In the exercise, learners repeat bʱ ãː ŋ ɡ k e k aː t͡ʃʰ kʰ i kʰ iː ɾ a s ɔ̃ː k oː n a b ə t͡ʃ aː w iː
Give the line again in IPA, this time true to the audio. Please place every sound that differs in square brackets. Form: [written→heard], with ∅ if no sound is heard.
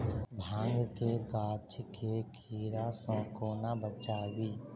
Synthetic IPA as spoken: bʱ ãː ŋ ɡ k e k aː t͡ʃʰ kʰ [i→e] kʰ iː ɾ a s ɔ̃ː k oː n a b ə t͡ʃ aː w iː